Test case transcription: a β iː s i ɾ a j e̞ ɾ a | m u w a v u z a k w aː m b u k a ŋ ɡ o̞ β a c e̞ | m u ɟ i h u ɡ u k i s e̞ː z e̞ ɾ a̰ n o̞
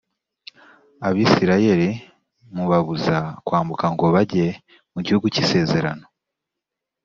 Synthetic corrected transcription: a β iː s i ɾ a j e̞ ɾ i | m u β a β u z a k w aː m b u k a ŋ ɡ o̞ β a ɟ e̞ | m u ɟ i h u ɡ u c i s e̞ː z e̞ ɾ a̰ n o̞

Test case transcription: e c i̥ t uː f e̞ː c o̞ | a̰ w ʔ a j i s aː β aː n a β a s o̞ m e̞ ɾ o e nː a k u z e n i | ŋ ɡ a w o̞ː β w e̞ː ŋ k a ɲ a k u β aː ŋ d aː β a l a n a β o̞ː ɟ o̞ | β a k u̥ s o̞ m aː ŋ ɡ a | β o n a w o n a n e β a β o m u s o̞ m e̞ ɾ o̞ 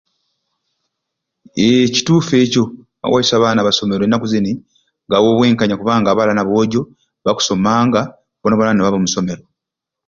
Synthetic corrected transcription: e c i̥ t uː f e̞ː c o̞ | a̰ w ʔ a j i s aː β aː n a β a s o̞ m e̞ ɾ o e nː a k u z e n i | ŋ ɡ a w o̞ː β w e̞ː ŋ k a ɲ a k u β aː ŋ ɡ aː β a l a n a β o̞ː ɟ o̞ | β a k u̥ s o̞ m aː ŋ ɡ a | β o n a β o n a n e β a β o m u s o̞ m e̞ ɾ o̞

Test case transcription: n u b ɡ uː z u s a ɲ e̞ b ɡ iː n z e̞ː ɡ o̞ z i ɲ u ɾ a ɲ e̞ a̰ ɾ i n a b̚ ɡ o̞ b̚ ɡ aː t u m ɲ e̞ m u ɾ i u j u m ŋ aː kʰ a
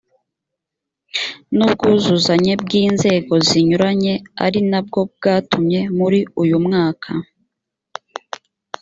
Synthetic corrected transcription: n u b ɡ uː z u z a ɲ e̞ b ɡ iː n z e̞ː ɡ o̞ z i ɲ u ɾ a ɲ e̞ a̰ ɾ i n a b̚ ɡ o̞ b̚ ɡ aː t u m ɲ e̞ m u ɾ i u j u m ŋ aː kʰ a

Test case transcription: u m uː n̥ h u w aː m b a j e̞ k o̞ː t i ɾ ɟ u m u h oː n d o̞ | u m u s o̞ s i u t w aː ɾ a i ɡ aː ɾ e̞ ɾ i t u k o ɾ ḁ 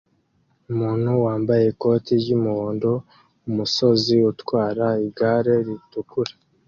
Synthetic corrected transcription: u m uː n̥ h u w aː m b a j e̞ k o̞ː t i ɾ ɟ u m u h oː n d o̞ | u m u s o̞ z i u t w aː ɾ a i ɡ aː ɾ e̞ ɾ i t u k u ɾ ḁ

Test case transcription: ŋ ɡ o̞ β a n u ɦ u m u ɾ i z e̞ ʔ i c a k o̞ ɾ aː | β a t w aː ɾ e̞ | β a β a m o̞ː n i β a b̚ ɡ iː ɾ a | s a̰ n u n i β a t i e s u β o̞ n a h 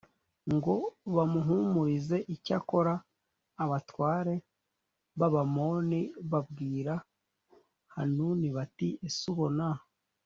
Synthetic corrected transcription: ŋ ɡ o̞ β a m u ɦ u m u ɾ i z e̞ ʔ i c a k o̞ ɾ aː | β a t w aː ɾ e̞ | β a β a m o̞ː n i β a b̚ ɡ iː ɾ a | h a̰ n u n i β a t i e s u β o̞ n a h

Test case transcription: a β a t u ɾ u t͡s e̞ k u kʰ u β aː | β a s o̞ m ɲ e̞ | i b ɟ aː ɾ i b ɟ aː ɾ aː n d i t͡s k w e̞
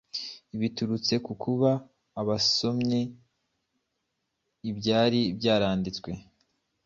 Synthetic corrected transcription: i β i t u ɾ u t͡s e̞ k u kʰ u β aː | β a s o̞ m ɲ e̞ | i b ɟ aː ɾ i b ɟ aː ɾ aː n d i t͡s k w e̞

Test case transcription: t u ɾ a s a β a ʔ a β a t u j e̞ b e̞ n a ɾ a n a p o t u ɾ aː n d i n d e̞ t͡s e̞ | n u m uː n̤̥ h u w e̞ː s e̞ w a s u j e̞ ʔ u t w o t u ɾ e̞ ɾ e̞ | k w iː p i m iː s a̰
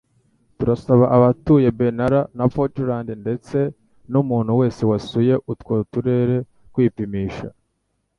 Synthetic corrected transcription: t u ɾ a s a β a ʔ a β a t u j e̞ b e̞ n a ɾ a n a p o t u ɾ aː n d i n d e̞ t͡s e̞ | n u m uː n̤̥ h u w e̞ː s e̞ w a s u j e̞ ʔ u t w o t u ɾ e̞ ɾ e̞ | k w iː p i m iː ʃ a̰

